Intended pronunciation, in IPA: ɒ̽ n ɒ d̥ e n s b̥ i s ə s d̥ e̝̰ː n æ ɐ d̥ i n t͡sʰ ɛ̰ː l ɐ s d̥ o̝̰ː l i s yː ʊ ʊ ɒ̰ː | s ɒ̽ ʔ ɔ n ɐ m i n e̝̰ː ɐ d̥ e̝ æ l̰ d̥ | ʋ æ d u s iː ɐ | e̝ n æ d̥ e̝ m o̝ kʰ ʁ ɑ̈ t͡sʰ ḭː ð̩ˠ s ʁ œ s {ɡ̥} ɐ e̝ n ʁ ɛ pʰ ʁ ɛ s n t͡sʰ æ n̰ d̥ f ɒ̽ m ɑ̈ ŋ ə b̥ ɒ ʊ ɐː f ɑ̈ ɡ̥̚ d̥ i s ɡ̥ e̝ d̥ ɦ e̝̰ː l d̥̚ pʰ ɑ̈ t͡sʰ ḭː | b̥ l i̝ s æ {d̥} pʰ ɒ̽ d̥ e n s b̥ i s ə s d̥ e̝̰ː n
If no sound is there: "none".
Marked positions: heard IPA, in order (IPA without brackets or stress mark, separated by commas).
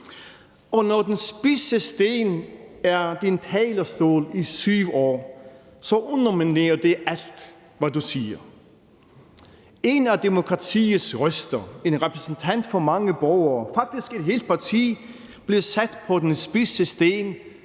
d̥, d̥